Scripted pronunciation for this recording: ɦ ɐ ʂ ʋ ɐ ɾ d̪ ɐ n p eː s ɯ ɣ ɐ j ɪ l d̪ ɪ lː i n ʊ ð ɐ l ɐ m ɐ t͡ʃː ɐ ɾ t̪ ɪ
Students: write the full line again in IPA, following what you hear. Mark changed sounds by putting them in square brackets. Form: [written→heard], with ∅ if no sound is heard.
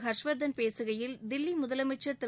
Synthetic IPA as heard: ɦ ɐ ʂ ʋ ɐ ɾ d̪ ɐ n p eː s ɯ ɣ ɐ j ɪ l d̪ ɪ lː i [n→m] ʊ ð ɐ l ɐ m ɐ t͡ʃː ɐ ɾ t̪ ɪ